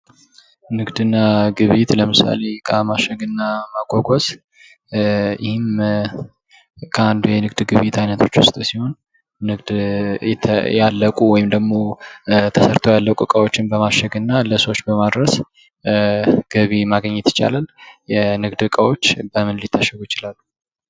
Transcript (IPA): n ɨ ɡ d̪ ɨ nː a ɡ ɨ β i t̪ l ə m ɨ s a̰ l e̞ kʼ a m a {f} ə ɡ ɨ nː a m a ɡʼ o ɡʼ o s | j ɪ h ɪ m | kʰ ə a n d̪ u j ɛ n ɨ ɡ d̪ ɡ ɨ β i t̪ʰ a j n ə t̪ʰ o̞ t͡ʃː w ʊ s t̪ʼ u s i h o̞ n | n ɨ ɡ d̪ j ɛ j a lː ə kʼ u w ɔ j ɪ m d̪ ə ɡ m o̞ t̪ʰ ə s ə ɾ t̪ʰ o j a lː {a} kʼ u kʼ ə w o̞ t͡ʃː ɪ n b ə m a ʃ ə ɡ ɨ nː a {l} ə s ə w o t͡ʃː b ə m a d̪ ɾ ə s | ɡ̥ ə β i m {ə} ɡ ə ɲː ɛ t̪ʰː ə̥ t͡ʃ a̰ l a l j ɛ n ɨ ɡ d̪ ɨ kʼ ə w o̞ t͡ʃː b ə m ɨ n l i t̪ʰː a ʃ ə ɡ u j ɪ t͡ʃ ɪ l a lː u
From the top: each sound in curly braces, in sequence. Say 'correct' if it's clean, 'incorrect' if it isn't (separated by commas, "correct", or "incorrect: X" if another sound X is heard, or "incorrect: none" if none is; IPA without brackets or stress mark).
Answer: incorrect: ʃ, incorrect: ə, correct, incorrect: a